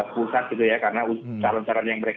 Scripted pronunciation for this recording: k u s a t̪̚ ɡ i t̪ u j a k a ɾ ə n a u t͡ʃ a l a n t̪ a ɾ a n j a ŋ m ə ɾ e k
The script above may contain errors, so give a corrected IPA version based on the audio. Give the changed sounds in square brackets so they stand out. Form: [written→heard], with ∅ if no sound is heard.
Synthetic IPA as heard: [k→p] u s a t̪̚ ɡ i t̪ u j a k a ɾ ə n a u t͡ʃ a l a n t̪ a ɾ a n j a ŋ m ə ɾ e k